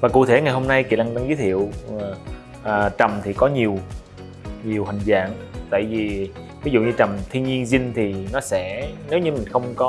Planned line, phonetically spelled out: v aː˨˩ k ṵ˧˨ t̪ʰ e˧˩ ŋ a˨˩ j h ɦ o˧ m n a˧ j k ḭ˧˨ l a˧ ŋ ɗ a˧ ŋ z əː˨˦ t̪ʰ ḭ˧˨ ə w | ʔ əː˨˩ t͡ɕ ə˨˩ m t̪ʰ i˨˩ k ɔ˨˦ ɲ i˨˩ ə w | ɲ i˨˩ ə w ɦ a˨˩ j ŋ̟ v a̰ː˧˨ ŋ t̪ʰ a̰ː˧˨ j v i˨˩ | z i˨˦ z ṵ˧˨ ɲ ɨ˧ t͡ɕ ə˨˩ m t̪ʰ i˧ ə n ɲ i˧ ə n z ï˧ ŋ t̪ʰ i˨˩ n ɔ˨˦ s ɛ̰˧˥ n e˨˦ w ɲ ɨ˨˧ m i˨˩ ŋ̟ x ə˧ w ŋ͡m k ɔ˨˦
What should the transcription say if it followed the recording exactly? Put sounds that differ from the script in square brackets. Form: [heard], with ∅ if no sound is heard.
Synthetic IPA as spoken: v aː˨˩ k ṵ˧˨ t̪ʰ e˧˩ ŋ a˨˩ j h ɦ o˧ m n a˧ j k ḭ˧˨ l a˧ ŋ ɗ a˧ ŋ z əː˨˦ t̪ʰ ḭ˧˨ ə w | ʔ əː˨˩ t͡ɕ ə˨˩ m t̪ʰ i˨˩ k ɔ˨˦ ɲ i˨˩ ə w | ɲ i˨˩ ə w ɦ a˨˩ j ŋ̟ [z] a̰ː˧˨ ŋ [t̪] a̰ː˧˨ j v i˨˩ | [v] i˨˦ z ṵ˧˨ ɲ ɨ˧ t͡ɕ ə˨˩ m t̪ʰ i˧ ə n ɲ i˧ ə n z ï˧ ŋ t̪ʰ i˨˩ n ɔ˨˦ s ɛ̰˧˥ n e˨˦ w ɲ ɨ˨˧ m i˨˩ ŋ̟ x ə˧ w ŋ͡m k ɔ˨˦